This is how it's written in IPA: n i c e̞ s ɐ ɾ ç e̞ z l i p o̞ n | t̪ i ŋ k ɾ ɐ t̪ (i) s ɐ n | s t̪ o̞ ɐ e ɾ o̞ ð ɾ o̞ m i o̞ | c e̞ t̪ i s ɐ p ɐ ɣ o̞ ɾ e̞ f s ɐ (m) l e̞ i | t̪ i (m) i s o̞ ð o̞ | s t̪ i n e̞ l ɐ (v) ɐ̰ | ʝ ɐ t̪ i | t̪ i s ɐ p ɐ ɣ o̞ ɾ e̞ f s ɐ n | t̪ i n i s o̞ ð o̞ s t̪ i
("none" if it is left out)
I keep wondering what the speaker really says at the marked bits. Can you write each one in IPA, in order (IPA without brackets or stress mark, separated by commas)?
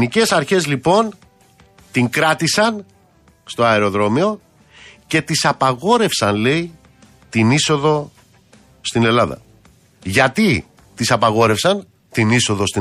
i, n, n, ð